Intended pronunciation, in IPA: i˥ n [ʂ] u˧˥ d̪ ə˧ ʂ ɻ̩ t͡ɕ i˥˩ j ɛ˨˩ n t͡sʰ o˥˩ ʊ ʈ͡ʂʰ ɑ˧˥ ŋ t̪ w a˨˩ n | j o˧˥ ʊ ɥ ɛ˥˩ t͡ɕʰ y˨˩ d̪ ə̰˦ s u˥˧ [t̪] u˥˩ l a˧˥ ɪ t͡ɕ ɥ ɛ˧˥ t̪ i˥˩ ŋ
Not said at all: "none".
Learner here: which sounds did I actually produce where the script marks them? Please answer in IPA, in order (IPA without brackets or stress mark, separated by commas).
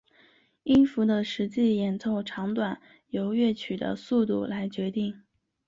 f, t̪